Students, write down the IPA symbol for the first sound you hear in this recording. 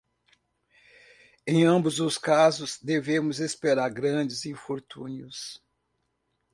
ẽ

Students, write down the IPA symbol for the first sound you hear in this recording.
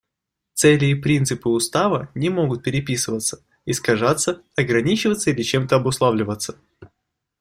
t̪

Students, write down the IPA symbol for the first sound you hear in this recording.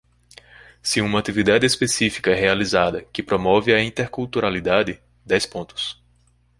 s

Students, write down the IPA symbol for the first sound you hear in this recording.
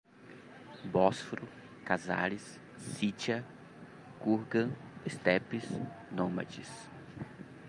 b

